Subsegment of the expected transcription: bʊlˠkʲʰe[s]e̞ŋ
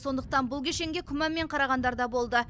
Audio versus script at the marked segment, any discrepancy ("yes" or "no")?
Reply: yes